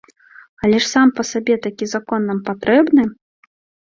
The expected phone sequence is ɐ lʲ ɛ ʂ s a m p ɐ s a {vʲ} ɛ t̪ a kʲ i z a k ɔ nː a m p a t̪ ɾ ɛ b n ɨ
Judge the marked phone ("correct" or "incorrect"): incorrect